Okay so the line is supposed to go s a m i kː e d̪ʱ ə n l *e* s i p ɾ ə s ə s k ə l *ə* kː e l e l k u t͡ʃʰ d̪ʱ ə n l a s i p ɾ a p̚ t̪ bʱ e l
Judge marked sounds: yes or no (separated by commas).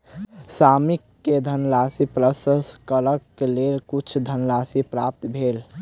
no, yes